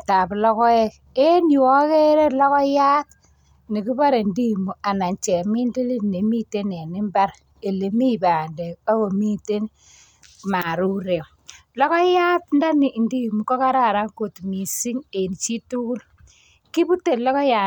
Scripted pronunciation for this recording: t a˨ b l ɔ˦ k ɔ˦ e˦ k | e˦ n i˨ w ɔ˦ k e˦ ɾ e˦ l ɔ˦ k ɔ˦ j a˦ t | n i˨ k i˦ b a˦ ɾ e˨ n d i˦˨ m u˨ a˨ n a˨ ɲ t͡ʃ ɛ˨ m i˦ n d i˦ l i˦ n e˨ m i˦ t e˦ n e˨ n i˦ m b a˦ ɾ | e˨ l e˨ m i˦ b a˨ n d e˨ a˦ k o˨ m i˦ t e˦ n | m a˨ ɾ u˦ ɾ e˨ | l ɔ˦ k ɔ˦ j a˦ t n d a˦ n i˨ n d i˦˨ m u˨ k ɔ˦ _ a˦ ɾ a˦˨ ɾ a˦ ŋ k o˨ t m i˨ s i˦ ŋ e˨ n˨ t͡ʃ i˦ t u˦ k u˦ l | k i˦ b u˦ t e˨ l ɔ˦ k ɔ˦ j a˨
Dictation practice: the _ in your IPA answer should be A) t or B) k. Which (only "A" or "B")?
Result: B